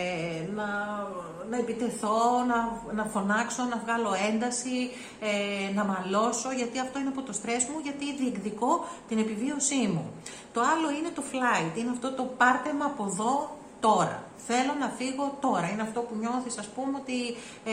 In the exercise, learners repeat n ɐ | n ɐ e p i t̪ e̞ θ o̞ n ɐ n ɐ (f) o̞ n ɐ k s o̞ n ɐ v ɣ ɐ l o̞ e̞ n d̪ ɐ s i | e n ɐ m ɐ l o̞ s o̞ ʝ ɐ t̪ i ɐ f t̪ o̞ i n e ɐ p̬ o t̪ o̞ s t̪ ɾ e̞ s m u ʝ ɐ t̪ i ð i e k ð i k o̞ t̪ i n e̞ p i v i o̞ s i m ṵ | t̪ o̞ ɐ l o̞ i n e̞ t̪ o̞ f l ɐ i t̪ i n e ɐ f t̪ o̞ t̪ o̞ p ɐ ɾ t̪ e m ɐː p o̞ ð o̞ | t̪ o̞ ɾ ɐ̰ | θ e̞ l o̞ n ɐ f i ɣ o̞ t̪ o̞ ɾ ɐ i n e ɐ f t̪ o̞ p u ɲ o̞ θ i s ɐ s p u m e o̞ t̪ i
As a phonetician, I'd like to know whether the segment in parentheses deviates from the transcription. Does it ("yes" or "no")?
no